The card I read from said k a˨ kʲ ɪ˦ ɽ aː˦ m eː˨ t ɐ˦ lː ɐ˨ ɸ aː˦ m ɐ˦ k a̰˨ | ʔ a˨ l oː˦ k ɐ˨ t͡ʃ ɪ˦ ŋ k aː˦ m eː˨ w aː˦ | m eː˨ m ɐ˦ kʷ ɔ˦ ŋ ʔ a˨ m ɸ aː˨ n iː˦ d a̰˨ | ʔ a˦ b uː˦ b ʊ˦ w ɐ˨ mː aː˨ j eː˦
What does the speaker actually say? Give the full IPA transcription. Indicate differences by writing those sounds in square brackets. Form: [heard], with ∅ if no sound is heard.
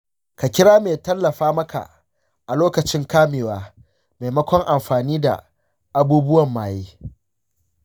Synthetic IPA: k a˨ kʲ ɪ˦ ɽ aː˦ m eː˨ t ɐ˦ lː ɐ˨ ɸ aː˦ m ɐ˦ k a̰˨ | ʔ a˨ l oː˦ k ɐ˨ t͡ʃ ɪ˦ ŋ k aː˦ m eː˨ w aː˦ | m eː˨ m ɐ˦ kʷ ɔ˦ ŋ ʔ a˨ m ɸ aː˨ n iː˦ d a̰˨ | ʔ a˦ b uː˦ b ʊ˦ w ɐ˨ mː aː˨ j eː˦